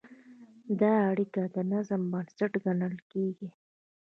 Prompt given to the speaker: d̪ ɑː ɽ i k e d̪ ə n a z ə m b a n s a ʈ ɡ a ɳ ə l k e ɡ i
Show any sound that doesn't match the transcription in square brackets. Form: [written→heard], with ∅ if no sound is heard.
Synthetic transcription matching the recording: d̪ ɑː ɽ i k [e→a] d̪ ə n a z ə m b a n s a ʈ ɡ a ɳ ə l k e ɡ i